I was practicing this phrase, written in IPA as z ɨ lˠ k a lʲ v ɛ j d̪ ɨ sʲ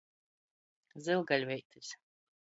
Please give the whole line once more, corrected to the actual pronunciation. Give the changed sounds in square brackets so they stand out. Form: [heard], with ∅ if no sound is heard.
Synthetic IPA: z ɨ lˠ [ɡ] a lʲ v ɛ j [t̪] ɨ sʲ